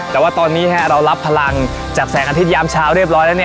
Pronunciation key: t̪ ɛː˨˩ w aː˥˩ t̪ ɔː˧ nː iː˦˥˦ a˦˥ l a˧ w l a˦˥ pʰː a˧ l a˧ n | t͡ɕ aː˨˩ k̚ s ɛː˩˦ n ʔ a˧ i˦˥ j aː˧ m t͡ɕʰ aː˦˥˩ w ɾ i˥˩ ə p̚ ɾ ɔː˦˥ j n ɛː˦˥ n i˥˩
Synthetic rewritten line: t̪ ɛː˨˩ w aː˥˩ t̪ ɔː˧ nː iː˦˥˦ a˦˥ ɾ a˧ w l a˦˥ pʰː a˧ l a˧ ŋ | t͡ɕ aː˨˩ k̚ s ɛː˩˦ ŋ ʔ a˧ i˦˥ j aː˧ m t͡ɕʰ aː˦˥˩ w ɾ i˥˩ ə p̚ ɾ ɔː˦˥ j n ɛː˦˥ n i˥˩